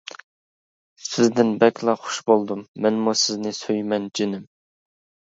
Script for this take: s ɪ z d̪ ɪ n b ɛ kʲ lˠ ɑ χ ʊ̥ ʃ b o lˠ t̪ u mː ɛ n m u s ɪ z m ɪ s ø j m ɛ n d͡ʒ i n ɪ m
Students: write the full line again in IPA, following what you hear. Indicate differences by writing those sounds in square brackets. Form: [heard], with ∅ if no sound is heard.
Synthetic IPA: s ɪ z d̪ ɪ n b ɛ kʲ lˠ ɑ χ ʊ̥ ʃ b o lˠ [d̪] u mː ɛ n m u s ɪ z [n] ɪ s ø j m ɛ n d͡ʒ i n ɪ m